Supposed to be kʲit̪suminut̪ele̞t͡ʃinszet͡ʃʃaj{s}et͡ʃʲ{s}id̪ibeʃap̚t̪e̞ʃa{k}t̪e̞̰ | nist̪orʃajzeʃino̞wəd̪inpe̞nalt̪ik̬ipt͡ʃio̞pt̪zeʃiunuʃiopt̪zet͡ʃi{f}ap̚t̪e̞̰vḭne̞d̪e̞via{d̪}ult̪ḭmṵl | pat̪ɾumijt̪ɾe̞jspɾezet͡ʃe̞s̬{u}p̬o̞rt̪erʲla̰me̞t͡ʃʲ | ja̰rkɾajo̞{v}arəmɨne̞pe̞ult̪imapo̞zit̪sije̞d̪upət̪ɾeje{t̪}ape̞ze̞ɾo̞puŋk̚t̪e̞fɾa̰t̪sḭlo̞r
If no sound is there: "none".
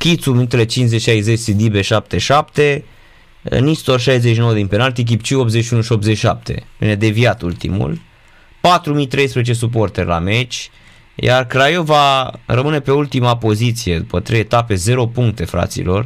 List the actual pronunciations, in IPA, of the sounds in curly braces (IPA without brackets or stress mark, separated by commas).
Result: z, s, p, ʃ, t̪, u, v, t̪